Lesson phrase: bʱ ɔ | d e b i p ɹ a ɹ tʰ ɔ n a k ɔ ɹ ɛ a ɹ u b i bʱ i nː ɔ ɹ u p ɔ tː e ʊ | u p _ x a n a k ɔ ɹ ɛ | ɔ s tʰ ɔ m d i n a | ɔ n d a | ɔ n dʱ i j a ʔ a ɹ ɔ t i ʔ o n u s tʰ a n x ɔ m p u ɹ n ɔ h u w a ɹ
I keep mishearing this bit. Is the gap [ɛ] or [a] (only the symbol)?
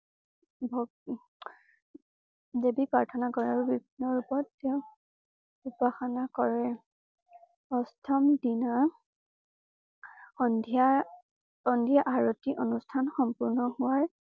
a